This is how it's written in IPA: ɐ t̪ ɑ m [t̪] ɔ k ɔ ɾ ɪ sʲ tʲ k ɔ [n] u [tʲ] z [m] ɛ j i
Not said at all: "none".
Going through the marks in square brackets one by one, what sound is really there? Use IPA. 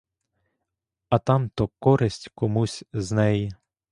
t̪, m, sʲ, n

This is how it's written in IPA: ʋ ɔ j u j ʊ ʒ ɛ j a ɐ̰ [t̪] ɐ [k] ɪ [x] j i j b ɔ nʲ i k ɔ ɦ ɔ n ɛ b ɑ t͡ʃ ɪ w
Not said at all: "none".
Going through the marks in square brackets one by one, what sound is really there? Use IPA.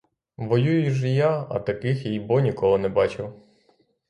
t̪, k, x

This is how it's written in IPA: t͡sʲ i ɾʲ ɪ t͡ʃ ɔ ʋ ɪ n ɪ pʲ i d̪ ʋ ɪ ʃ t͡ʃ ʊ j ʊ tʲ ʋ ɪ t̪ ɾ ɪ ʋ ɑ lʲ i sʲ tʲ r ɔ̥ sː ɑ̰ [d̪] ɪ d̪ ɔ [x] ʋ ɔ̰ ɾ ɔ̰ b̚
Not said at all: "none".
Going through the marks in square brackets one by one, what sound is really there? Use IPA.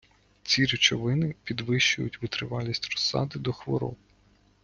d̪, x

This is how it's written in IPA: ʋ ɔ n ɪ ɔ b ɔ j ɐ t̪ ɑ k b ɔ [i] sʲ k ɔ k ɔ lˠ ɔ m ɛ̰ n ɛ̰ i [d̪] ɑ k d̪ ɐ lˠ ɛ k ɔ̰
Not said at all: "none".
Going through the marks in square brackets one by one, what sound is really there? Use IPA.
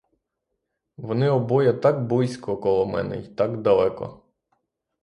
j, t̪

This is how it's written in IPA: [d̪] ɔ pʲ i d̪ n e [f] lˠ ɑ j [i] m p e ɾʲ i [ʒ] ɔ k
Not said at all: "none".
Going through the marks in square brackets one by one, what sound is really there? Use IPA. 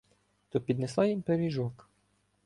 t̪, s, i, ʒ

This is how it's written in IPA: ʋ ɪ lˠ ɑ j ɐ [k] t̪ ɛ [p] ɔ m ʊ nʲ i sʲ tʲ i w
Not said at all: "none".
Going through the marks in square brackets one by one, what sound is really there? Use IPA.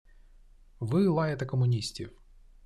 none, k

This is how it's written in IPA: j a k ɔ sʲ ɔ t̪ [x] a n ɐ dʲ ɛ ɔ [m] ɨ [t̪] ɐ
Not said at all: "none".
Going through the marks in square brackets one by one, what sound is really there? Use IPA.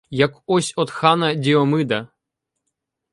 x, m, d̪

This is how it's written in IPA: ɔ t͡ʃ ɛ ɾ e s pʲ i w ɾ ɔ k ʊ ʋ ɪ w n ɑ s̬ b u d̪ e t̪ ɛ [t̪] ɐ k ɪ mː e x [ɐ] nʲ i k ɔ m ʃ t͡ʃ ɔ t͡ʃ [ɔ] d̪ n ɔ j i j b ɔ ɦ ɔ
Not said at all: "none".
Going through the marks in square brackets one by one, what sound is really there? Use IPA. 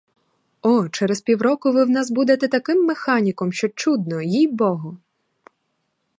t̪, ɑ, u

